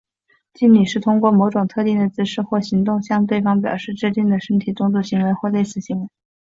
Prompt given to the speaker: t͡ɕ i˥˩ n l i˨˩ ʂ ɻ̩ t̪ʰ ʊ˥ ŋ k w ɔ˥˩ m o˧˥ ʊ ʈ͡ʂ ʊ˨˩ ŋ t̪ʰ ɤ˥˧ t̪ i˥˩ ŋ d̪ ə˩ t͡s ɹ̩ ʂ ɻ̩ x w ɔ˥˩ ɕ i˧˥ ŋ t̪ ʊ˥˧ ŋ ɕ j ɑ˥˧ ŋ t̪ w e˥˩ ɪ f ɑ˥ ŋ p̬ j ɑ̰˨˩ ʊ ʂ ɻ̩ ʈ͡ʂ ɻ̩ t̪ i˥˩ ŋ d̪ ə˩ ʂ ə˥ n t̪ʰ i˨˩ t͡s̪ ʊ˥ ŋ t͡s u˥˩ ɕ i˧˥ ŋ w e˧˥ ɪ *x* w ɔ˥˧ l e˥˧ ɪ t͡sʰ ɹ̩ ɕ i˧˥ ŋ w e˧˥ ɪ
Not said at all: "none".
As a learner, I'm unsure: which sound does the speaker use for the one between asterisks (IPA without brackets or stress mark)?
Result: x